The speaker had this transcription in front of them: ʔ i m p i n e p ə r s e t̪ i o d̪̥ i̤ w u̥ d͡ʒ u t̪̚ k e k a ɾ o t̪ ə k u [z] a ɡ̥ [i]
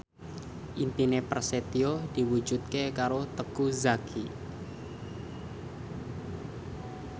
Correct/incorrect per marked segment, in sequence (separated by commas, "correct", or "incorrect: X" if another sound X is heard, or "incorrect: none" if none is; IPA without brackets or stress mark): correct, correct